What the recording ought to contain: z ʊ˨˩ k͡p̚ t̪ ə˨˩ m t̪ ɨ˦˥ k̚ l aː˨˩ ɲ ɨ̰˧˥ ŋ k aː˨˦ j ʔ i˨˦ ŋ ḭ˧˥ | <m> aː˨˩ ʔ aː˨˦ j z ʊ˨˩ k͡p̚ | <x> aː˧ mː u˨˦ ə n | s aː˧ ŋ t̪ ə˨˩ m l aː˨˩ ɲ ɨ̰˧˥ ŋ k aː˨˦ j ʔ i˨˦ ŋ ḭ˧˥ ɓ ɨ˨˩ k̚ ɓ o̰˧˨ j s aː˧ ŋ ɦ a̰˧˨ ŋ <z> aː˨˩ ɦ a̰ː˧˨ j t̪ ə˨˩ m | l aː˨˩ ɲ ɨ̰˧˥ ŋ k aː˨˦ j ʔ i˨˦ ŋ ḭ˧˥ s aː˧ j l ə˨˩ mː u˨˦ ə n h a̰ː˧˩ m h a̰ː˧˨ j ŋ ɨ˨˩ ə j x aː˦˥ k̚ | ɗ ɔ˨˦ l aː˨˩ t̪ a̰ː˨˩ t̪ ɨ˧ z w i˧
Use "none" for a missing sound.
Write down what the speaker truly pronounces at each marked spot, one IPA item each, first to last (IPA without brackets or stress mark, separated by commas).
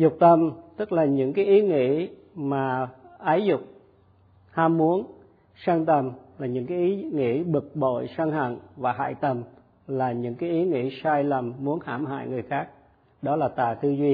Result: m, h, v